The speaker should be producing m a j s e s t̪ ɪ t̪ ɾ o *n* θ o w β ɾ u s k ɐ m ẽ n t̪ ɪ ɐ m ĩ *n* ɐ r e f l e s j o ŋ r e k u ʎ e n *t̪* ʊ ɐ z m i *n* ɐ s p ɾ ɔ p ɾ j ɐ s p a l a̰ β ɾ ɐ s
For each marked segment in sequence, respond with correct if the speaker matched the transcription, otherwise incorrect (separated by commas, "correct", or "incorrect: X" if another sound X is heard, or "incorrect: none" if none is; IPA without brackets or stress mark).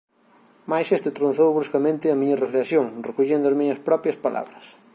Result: correct, incorrect: ɲ, incorrect: d̪, incorrect: ɲ